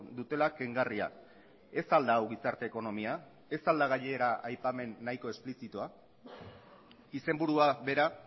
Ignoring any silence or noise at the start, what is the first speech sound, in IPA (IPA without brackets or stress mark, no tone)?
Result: d̪